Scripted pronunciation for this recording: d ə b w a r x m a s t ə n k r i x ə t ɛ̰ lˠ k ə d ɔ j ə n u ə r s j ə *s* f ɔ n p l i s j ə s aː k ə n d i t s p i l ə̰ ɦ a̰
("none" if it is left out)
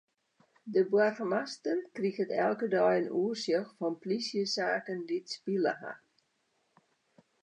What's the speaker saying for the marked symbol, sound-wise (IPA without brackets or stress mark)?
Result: x